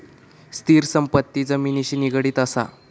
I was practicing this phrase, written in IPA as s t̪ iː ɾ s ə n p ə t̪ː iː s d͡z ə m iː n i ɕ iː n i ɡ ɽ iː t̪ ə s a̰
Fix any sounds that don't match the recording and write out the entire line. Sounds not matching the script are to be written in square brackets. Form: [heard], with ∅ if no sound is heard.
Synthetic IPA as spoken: s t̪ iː ɾ s ə [m] p ə t̪ː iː [∅] d͡z ə m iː n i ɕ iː n i ɡ ɽ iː t̪ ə s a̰